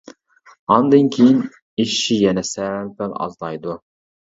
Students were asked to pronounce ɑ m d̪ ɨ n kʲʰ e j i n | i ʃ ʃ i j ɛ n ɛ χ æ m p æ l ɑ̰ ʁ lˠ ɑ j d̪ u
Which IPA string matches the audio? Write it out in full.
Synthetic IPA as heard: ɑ n d̪ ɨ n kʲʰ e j i n | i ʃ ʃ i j ɛ n ɛ s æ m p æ l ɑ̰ z lˠ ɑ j d̪ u

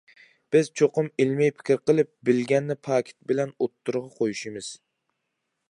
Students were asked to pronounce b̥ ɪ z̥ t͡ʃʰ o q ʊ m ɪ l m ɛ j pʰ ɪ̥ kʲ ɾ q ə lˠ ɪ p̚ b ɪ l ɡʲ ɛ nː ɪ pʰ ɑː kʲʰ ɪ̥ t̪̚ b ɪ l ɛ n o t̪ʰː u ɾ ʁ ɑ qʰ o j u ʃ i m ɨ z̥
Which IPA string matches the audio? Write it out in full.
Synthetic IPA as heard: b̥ ɪ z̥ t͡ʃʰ o q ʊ m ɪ l m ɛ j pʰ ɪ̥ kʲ ɾ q ə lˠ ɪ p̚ b ɪ l ɡʲ ɛ nː ɪ pʰ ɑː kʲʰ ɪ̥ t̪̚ b ɪ l ɛ n o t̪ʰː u ɾ ʁ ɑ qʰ o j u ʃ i m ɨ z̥

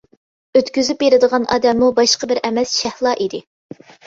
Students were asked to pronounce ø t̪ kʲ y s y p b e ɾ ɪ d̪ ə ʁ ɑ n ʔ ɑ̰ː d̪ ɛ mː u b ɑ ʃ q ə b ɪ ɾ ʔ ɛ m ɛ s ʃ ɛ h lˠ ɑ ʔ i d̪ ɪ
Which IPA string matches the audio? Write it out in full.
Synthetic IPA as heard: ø t̪ kʲ y z y p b e ɾ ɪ d̪ ə ʁ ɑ n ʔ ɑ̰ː d̪ ɛ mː u b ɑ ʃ q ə b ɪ ɾ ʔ ɛ m ɛ s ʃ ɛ h lˠ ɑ ʔ i d̪ ɪ

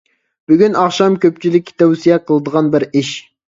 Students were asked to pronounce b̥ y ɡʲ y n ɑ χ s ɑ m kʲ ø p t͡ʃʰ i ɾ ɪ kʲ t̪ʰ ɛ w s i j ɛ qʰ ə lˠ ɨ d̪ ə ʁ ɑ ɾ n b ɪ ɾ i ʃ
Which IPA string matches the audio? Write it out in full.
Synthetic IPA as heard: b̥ y ɡʲ y n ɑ χ ʃ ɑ m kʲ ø p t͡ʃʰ i l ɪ kʲ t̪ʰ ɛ w s i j ɛ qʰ ə lˠ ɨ d̪ ə ʁ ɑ n b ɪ ɾ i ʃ

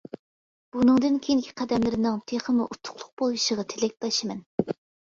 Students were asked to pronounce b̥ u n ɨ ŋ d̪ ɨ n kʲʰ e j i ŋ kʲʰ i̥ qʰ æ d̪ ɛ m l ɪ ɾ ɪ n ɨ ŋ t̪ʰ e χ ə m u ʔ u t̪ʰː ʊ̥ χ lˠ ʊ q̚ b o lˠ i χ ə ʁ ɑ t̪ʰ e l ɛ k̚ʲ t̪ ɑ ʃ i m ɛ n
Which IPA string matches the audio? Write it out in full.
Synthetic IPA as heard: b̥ u n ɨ ŋ d̪ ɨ n kʲʰ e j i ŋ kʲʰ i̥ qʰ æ d̪ ɛ m l ɪ ɾ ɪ n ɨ ŋ t̪ʰ e χ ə m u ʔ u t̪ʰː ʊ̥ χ lˠ ʊ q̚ b o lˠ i ʃ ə ʁ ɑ t̪ʰ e l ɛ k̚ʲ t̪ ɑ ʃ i m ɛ n

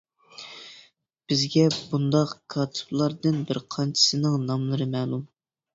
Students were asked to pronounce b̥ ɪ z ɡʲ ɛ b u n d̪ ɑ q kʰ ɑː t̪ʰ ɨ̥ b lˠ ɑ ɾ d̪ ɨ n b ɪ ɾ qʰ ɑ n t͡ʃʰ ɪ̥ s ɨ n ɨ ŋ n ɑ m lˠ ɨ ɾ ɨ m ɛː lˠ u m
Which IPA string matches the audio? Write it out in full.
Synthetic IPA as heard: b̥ ɪ z ɡʲ ɛ b u n d̪ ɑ q kʰ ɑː t̪ʰ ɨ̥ b lˠ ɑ ɾ d̪ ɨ n b ɪ ɾ qʰ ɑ n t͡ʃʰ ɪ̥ s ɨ n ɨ ŋ n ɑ m lˠ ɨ ɾ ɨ m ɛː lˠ u m

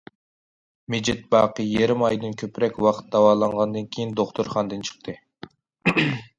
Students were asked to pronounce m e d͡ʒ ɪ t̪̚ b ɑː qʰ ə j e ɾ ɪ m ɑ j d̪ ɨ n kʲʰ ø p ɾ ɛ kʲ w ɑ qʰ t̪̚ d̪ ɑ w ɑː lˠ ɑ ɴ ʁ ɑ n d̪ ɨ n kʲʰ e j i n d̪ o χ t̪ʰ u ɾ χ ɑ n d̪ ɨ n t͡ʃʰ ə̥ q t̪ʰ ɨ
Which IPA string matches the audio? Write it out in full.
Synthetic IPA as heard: m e d͡ʒ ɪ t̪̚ b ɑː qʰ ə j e ɾ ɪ m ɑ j d̪ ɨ n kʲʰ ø p ɾ ɛ kʲ w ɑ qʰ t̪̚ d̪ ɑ w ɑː lˠ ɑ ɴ ʁ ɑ n d̪ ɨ n kʲʰ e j i n d̪ o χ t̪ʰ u ɾ χ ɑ n d̪ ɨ n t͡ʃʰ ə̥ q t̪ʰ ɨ

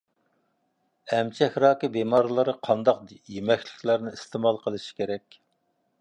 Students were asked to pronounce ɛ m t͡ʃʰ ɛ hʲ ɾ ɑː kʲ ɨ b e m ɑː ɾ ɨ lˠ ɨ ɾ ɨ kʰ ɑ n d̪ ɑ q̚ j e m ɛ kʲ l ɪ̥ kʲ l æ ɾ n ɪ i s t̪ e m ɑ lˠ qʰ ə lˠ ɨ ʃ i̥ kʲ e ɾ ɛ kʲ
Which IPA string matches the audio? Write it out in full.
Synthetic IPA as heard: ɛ m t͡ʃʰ ɛ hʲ ɾ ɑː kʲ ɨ b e m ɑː ɾ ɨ lˠ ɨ ɾ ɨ qʰ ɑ n d̪ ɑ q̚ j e m ɛ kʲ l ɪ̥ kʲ l æ ɾ n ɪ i s t̪ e m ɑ lˠ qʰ ə lˠ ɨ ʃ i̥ kʲ e ɾ ɛ kʲ

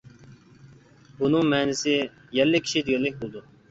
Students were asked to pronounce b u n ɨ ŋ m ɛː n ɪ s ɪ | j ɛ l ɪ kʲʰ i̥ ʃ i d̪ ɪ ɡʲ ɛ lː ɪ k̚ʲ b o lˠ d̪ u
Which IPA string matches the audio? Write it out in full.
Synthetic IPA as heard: b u n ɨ ŋ m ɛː n ɪ s ɪ | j ɛ lː ɪ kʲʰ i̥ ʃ i d̪ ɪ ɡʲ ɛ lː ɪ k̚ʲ b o lˠ d̪ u

